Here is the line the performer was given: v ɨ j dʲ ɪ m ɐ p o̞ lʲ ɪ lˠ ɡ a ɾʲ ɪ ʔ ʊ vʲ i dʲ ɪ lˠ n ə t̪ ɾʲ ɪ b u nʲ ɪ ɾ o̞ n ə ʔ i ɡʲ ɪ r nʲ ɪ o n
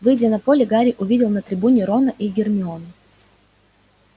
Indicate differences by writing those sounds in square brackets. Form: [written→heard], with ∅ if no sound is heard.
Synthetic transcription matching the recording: v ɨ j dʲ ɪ [m→n] ɐ p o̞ lʲ ɪ [lˠ→∅] ɡ a ɾʲ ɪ ʔ ʊ vʲ i dʲ ɪ lˠ n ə t̪ ɾʲ ɪ b u nʲ ɪ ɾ o̞ n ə ʔ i ɡʲ ɪ r [nʲ→mʲ] ɪ o n